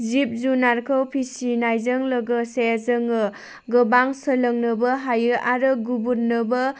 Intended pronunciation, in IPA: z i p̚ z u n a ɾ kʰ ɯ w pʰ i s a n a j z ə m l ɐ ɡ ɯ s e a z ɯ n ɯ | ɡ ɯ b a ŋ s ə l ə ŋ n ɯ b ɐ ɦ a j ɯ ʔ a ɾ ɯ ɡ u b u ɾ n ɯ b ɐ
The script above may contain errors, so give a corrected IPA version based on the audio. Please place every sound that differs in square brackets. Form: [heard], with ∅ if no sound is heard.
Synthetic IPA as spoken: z i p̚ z u n a ɾ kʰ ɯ w pʰ i s [i] n a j z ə [ŋ] l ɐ ɡ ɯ s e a z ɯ [ŋ] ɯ | ɡ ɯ b a ŋ s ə l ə ŋ n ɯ b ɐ ɦ a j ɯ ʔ a ɾ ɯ ɡ u b u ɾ n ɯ b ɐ